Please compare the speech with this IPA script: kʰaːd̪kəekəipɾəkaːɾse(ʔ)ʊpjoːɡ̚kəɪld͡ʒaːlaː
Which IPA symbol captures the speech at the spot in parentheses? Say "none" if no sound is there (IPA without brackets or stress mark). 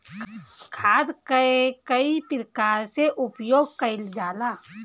ʔ